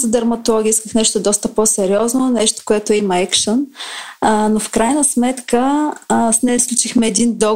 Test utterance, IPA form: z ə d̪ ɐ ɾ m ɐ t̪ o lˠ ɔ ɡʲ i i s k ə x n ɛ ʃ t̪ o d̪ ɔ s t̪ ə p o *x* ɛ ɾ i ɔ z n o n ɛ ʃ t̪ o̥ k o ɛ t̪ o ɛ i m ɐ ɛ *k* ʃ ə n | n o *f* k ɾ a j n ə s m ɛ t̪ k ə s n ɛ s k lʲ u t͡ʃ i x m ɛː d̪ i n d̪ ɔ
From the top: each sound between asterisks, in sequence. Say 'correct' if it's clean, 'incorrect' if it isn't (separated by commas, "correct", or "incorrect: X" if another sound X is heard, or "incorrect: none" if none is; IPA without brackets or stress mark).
incorrect: s, correct, correct